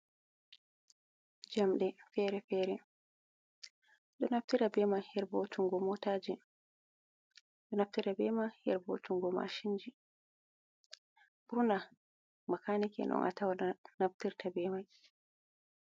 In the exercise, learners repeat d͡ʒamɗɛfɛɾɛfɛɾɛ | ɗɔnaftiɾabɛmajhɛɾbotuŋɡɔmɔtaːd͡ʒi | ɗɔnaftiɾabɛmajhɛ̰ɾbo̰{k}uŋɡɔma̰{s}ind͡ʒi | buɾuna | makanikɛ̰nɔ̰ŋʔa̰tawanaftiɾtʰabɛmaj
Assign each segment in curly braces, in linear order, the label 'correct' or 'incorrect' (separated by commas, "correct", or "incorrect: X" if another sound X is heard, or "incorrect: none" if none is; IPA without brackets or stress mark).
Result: incorrect: t, incorrect: ʃ